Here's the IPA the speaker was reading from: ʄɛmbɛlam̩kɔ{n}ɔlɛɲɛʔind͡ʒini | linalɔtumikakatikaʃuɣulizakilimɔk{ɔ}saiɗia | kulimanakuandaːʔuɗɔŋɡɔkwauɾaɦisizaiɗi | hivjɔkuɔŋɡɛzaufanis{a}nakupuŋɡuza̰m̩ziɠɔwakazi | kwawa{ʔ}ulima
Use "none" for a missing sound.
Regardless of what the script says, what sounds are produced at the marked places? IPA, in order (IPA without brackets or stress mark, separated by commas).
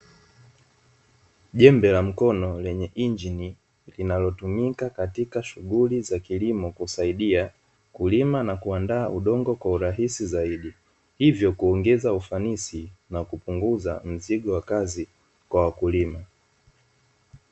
n, u, i, k